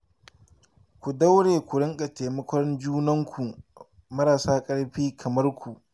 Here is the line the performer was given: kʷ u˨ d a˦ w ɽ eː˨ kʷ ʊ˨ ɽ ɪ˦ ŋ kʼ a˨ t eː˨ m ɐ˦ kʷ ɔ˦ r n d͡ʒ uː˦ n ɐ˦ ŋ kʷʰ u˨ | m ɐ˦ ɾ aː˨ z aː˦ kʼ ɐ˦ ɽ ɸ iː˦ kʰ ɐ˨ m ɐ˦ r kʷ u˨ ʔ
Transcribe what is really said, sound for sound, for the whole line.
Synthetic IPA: kʷ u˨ d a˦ w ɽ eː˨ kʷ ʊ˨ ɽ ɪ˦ ŋ kʼ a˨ t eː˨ m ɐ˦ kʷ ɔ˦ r n d͡ʒ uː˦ n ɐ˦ ŋ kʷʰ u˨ | m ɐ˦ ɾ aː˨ s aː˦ kʼ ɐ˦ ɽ ɸ iː˦ kʰ ɐ˨ m ɐ˦ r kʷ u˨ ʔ